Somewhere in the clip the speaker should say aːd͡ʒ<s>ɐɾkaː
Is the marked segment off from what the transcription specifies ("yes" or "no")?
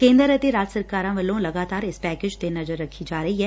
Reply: no